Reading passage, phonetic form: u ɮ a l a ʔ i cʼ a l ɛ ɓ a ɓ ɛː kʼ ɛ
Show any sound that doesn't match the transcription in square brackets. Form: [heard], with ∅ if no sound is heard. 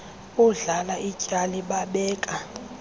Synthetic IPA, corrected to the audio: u ɮ a l a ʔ i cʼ a l [i] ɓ a ɓ ɛː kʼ [a]